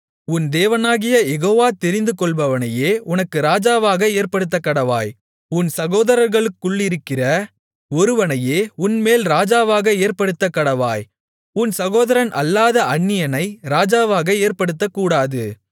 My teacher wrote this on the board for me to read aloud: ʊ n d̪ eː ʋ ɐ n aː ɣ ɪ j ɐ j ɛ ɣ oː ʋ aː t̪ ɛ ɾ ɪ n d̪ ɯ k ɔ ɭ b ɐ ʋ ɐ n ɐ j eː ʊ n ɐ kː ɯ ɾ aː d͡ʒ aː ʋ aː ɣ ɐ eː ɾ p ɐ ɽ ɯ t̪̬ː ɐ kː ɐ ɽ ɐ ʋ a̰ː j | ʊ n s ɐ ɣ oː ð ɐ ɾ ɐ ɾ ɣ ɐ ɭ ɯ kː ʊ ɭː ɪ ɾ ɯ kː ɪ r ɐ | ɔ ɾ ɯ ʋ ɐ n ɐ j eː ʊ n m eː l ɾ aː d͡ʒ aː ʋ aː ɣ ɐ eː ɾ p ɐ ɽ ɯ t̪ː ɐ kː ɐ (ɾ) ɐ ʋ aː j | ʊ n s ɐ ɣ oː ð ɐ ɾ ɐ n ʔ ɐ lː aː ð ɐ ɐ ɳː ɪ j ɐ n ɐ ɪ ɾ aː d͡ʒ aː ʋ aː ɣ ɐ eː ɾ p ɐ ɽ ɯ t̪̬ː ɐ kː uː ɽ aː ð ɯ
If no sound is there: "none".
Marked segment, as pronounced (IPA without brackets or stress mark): ɽ